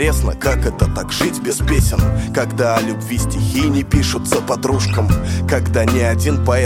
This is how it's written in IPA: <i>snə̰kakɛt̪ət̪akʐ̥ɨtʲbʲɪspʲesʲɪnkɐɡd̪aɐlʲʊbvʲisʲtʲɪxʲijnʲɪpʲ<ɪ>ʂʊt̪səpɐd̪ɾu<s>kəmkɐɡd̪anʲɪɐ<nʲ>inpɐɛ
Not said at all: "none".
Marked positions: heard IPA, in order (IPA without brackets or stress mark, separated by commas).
e, i, ʂ, dʲ